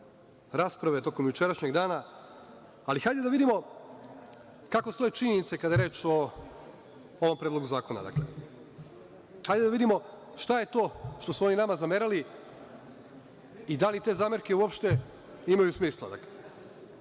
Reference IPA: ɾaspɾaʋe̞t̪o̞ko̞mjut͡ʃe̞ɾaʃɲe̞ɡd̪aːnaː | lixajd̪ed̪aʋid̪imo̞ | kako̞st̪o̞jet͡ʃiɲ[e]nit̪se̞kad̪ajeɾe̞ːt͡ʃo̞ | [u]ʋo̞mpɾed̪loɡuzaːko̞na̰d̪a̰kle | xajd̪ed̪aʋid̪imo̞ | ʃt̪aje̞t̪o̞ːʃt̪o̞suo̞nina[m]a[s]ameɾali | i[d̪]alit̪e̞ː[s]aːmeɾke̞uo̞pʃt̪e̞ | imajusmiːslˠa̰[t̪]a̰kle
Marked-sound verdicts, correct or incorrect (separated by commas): correct, incorrect, correct, incorrect, correct, incorrect, incorrect